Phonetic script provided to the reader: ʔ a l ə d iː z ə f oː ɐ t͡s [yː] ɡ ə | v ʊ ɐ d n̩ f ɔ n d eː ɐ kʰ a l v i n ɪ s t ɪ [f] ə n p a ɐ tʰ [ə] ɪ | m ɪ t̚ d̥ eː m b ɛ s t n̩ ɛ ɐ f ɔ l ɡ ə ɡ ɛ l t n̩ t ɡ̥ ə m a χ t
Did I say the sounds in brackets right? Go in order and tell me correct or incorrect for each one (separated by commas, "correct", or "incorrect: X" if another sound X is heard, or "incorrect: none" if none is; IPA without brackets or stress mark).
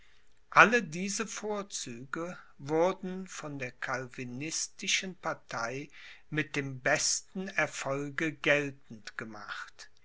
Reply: correct, incorrect: ʃ, incorrect: a